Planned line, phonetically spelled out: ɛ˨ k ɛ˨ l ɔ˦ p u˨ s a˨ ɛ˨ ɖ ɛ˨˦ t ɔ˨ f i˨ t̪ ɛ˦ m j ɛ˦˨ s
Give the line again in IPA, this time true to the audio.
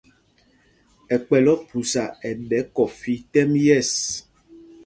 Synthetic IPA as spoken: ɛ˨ k͡p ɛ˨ l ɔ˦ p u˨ s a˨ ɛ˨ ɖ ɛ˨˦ k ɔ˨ f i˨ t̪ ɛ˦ m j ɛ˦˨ s